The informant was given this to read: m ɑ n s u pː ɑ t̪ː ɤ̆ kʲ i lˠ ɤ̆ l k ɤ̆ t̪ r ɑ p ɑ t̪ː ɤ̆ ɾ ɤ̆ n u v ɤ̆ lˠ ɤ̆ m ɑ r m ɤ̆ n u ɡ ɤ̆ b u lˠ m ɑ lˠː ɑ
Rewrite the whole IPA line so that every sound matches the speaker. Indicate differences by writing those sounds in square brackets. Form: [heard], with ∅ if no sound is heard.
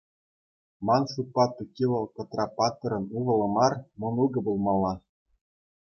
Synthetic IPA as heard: m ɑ n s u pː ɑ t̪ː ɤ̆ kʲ i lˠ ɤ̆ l k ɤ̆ t̪ r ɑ p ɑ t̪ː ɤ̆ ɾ ɤ̆ n u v ɤ̆ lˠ ɤ̆ m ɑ r m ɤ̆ n u ɡ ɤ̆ b u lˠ m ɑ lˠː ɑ

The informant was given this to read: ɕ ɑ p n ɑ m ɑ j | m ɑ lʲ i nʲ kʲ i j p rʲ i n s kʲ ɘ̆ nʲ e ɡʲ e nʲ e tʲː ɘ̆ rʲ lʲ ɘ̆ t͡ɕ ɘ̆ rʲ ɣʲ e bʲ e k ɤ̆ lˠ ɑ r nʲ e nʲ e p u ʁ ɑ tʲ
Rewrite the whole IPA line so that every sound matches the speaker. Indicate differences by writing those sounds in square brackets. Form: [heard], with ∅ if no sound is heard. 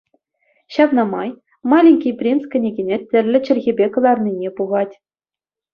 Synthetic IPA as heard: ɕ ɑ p n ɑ m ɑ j | m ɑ lʲ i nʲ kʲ i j p rʲ i n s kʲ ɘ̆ nʲ e ɡʲ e nʲ e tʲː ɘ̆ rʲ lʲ ɘ̆ t͡ɕ ɘ̆ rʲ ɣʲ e bʲ e k ɤ̆ lˠ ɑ r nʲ [i] nʲ e p u ʁ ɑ tʲ

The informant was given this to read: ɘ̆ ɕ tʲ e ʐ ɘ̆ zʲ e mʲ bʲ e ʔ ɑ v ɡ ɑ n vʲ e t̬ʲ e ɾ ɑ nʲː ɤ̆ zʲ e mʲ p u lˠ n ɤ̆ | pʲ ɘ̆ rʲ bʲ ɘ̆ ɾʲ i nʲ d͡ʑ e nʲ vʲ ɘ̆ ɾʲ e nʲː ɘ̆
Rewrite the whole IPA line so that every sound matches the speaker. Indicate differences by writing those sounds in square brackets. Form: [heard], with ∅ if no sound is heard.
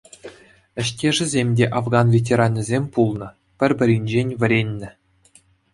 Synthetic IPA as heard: ɘ̆ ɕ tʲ e ʐ ɘ̆ zʲ e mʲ [dʲ] e ʔ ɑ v ɡ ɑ n vʲ e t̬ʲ e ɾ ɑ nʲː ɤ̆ zʲ e mʲ p u lˠ n ɤ̆ | pʲ ɘ̆ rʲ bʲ ɘ̆ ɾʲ i nʲ d͡ʑ e nʲ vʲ ɘ̆ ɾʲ e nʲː ɘ̆

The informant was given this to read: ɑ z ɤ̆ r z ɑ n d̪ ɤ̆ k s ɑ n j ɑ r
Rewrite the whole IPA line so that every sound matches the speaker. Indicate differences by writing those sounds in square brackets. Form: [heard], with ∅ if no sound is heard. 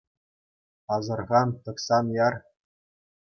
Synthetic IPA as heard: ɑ z ɤ̆ r [ʁ] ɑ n [t̪] ɤ̆ k s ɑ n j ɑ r

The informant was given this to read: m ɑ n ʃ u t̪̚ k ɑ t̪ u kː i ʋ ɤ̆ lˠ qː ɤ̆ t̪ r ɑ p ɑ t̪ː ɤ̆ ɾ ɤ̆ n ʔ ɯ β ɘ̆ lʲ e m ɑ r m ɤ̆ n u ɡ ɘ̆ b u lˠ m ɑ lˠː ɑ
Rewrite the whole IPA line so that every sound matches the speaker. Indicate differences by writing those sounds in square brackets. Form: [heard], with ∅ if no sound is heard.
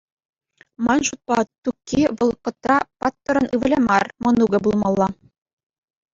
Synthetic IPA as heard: m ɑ n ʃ u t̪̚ [p] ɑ t̪ u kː i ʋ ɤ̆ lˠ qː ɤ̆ t̪ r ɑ p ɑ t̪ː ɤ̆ ɾ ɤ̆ n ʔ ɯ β ɘ̆ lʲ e m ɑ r m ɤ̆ n u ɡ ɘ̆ b u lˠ m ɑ lˠː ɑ

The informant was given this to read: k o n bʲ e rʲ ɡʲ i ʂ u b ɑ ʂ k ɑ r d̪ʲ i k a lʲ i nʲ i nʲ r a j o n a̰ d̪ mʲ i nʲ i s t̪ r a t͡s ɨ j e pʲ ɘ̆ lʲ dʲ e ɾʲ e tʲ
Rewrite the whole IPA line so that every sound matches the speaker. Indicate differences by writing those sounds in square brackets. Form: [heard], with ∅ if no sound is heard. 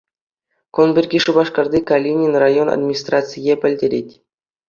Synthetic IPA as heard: k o n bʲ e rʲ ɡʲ i ʂ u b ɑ ʂ k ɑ r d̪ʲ i k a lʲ i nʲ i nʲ r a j o n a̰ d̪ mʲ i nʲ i s t̪ r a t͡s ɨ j e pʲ ɘ̆ lʲ dʲ e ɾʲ e tʲ

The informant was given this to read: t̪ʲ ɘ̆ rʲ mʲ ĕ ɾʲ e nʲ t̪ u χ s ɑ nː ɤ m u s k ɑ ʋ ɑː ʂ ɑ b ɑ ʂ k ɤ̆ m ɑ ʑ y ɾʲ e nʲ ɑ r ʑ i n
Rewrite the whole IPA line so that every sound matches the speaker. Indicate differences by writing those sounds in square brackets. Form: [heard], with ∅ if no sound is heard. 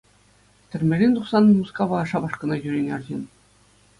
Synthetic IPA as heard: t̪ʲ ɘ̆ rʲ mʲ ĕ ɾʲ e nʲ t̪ u χ s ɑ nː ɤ m u s k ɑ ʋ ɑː ʂ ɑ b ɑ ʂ k ɤ̆ [n] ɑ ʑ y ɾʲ e nʲ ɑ r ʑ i n

